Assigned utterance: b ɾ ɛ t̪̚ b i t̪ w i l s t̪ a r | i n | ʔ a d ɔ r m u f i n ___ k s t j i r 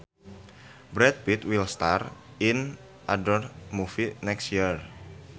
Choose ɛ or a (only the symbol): ɛ